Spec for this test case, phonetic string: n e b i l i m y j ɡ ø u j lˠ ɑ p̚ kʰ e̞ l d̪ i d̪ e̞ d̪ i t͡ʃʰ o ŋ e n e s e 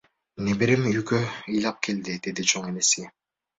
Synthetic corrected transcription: n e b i ɾ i m y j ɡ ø ɯ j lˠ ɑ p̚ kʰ e̞ l d̪ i d̪ e̞ d̪ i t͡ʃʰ o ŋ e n e s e